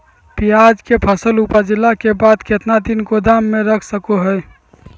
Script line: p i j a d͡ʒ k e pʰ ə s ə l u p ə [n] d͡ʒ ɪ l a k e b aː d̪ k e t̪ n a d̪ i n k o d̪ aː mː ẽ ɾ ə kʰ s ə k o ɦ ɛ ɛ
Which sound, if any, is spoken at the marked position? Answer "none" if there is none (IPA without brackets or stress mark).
none